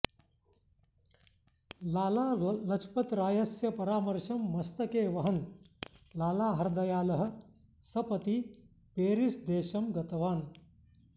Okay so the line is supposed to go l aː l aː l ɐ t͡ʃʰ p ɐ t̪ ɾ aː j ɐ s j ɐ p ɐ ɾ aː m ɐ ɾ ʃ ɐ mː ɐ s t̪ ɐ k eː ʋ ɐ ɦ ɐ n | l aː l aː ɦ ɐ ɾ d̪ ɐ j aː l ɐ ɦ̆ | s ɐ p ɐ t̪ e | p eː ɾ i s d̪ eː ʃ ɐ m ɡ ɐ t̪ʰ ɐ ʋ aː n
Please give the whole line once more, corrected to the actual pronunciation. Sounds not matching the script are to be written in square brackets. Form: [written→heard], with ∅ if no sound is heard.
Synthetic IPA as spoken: l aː l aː l ɐ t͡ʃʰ p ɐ t̪ ɾ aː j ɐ s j ɐ p ɐ ɾ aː m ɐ ɾ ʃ ɐ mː ɐ s t̪ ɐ k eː ʋ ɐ ɦ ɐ n | l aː l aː ɦ ɐ ɾ d̪ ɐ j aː l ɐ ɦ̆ | s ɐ p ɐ t̪ [e→i] | p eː ɾ i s d̪ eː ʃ ɐ m ɡ ɐ [t̪ʰ→t̪] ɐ ʋ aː n